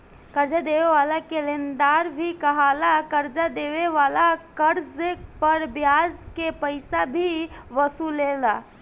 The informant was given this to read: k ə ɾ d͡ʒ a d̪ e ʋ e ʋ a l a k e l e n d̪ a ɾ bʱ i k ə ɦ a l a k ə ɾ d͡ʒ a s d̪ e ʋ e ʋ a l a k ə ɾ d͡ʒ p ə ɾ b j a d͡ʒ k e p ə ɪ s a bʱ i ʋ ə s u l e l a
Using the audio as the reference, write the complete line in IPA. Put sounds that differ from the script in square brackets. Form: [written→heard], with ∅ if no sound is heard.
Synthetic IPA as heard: k ə ɾ d͡ʒ a d̪ e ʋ e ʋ a l a k e l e n d̪ a ɾ bʱ i k ə ɦ a l a k ə ɾ d͡ʒ a [s→∅] d̪ e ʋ e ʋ a l a k ə ɾ d͡ʒ p ə ɾ b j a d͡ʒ k e p ə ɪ s a bʱ i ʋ ə s u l e l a